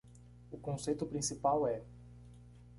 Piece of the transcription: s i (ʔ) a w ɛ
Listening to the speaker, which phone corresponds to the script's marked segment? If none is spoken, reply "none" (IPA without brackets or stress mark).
p